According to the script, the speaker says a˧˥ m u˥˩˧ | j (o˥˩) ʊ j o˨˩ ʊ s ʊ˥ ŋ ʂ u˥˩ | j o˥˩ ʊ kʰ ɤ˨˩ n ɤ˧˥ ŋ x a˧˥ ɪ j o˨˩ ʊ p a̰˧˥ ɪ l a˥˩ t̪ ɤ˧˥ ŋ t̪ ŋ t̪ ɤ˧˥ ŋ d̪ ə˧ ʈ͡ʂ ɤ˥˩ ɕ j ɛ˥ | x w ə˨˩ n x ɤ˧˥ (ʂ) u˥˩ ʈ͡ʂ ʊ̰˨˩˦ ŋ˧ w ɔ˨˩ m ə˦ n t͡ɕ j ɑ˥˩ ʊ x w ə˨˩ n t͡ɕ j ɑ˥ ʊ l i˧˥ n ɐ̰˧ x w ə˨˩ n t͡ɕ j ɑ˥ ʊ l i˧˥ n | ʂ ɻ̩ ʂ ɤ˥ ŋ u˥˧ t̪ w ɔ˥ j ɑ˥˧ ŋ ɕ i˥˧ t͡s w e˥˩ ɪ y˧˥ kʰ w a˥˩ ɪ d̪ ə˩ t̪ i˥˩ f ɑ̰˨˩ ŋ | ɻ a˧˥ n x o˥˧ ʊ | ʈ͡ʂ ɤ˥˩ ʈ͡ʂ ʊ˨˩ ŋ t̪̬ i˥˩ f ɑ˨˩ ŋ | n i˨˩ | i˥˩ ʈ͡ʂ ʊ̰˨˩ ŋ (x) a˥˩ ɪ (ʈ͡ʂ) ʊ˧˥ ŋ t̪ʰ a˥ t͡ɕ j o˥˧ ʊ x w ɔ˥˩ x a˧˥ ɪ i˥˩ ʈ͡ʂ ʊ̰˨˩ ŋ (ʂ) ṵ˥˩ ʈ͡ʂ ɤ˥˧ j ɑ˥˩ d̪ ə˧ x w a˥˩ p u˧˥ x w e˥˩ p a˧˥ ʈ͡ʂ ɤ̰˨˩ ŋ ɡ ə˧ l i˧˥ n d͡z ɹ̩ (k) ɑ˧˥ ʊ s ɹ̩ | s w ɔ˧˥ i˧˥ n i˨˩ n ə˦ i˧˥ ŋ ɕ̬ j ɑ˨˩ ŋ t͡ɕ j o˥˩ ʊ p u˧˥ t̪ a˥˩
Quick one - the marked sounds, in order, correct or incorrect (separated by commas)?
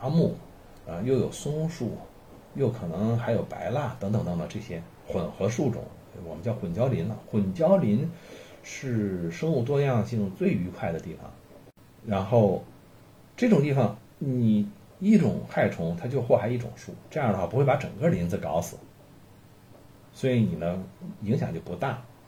correct, correct, correct, incorrect, correct, correct